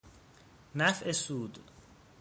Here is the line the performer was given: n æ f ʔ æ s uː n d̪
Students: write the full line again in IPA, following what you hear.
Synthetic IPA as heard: n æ f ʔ e s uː d̪